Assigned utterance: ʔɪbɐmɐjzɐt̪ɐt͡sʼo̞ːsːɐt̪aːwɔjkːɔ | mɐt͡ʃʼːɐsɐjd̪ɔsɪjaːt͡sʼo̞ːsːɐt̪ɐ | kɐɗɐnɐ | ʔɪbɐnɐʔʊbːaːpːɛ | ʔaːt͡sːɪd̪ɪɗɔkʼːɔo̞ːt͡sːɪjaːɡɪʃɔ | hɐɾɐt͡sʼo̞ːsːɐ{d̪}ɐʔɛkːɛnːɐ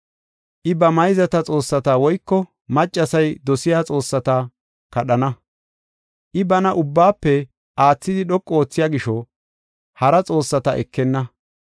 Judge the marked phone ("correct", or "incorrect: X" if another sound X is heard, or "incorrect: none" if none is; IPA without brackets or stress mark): incorrect: t̪